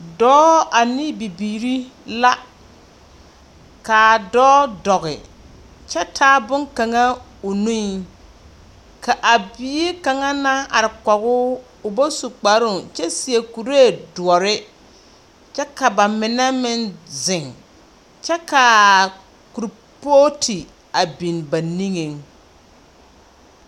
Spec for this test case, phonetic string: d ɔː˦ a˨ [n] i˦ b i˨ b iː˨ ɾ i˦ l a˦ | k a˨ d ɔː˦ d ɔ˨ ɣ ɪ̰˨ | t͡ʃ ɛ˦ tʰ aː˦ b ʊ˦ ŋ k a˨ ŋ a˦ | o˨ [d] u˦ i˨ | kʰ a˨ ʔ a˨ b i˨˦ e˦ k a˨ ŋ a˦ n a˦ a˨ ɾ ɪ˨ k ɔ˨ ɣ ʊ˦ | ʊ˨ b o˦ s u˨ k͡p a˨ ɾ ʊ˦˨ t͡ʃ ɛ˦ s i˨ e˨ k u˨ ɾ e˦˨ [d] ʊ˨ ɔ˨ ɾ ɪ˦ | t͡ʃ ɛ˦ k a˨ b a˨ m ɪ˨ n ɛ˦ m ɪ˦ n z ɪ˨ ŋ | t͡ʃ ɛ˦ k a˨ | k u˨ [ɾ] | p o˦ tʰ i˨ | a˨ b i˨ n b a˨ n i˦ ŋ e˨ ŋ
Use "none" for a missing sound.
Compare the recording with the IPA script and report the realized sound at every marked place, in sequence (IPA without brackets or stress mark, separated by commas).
n, n, d, ɾ